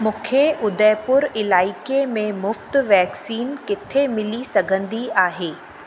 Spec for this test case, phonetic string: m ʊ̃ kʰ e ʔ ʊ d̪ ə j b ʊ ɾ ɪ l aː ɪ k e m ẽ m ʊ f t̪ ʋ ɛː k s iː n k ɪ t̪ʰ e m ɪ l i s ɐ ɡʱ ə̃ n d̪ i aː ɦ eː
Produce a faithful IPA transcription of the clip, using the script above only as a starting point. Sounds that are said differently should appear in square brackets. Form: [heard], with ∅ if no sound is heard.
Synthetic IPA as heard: m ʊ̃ kʰ e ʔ ʊ d̪ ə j [p] ʊ ɾ ɪ l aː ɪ k e m ẽ m ʊ f t̪ ʋ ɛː k s iː n k ɪ t̪ʰ e m ɪ l i s ɐ ɡʱ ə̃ n d̪ i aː ɦ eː